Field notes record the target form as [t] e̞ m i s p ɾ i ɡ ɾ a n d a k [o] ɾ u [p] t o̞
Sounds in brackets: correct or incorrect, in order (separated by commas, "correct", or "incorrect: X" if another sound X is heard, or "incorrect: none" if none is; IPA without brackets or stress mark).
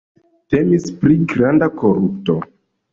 correct, correct, correct